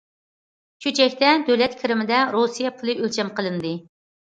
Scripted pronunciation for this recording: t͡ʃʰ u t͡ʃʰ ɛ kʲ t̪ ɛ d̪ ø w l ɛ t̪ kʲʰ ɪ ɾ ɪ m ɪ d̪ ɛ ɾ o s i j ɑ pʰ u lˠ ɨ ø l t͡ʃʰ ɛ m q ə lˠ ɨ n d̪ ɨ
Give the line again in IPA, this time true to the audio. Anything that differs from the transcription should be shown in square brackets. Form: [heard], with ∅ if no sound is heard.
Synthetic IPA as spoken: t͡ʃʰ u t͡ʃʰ ɛ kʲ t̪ ɛ d̪ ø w l ɛ t̪ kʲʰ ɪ ɾ ɪ m ɪ d̪ ɛ ɾ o s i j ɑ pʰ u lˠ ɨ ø l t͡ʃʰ ɛ m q ə lˠ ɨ n d̪ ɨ